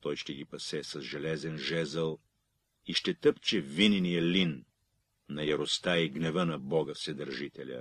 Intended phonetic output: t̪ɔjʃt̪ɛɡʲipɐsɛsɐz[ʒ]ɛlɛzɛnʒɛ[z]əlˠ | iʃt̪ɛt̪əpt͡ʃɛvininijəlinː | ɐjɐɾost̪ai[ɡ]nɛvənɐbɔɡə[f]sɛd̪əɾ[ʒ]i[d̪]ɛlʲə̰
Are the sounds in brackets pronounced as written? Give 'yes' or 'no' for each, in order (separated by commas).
yes, yes, yes, yes, yes, no